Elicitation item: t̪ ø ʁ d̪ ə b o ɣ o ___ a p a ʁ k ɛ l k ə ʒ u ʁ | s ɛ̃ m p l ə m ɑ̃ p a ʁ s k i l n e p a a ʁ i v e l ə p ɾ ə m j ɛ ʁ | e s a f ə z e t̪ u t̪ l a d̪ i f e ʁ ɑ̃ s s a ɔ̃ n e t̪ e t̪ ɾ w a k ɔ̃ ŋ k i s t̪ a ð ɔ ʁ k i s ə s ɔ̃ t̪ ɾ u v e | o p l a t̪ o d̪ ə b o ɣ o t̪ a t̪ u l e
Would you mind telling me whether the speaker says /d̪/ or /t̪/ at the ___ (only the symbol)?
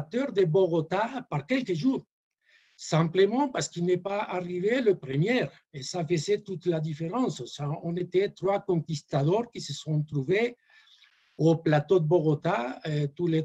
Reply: t̪